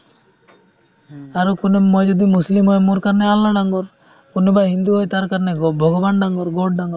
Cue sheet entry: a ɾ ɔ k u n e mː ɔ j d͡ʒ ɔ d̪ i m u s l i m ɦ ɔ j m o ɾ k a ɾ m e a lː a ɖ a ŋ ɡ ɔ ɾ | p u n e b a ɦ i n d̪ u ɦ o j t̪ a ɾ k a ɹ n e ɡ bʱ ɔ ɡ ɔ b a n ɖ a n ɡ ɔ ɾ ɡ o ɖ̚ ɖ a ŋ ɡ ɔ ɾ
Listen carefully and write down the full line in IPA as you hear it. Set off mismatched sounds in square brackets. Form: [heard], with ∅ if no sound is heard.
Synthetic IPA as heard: a ɾ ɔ k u n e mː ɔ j d͡ʒ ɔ d̪ i m u s l i m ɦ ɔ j m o ɾ k a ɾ [n] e a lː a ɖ a ŋ ɡ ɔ ɾ | [k] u n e b a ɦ i n d̪ u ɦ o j t̪ a ɾ k a [ɾ] n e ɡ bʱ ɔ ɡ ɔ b a n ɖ a [ŋ] ɡ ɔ ɾ ɡ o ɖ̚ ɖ a ŋ ɡ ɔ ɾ